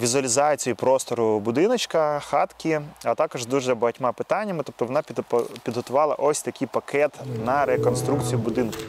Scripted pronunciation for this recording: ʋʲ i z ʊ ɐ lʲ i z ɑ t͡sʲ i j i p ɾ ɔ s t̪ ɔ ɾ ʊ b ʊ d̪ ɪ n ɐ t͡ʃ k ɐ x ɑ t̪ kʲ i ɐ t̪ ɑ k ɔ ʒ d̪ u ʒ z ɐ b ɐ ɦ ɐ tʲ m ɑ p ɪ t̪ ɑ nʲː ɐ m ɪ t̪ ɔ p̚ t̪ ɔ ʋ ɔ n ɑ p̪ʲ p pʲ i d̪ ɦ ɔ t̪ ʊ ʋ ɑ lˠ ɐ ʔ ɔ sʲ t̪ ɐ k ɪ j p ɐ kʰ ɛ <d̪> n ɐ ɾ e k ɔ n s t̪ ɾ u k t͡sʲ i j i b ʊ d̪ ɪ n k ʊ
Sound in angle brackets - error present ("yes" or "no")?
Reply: yes